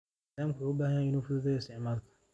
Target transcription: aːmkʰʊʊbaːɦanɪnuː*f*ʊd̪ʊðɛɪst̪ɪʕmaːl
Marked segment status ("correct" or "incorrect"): correct